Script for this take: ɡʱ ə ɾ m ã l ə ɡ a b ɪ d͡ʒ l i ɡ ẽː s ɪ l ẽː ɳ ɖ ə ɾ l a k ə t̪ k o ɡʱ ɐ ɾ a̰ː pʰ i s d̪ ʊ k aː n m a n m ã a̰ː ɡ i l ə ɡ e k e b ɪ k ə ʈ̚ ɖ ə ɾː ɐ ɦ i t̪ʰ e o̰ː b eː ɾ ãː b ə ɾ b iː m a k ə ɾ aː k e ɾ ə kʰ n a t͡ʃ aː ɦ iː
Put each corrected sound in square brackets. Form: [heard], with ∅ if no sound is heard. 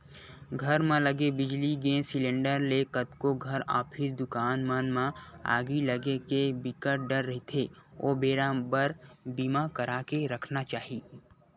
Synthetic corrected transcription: ɡʱ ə ɾ m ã l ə ɡ [e] b ɪ d͡ʒ l i ɡ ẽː s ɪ l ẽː ɳ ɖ ə ɾ l [e] k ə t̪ k o ɡʱ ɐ ɾ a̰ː pʰ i s d̪ ʊ k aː n m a n m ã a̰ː ɡ i l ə ɡ e k e b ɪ k ə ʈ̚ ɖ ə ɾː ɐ ɦ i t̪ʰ e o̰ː b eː ɾ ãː b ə ɾ b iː m a k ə ɾ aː k e ɾ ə kʰ n a t͡ʃ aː ɦ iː